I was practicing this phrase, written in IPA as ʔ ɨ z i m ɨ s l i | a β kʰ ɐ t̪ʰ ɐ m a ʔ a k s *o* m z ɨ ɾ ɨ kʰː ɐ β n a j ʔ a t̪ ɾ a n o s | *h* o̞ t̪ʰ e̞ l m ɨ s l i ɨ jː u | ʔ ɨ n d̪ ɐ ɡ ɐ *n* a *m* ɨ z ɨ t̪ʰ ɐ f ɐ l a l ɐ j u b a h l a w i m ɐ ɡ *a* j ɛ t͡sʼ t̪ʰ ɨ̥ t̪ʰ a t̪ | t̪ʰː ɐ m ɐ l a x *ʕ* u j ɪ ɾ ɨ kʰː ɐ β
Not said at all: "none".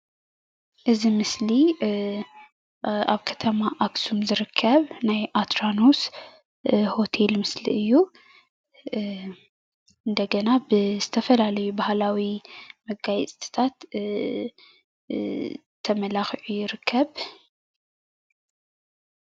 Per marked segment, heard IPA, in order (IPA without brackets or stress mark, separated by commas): u, h, n, b, a, ʕ